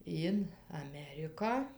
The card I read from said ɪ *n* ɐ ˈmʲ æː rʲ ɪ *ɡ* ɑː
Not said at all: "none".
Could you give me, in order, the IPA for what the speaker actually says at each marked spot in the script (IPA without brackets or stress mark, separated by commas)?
n, k